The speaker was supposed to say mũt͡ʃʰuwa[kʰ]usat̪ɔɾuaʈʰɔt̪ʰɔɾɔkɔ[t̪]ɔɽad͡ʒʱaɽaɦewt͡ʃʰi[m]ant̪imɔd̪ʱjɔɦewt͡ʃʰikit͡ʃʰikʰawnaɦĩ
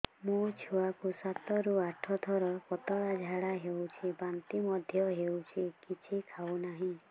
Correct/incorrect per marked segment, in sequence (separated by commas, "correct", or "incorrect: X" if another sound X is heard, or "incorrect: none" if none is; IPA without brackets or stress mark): incorrect: k, correct, incorrect: b